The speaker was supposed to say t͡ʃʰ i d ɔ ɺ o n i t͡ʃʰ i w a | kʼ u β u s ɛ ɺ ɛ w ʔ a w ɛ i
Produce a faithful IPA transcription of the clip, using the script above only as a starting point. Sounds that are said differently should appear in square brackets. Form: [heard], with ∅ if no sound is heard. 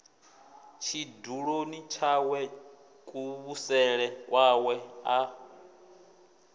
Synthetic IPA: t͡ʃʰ i d [u] ɺ o n i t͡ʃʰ [a] w [ɛ] | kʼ u β u s ɛ ɺ ɛ w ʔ a w ɛ [a]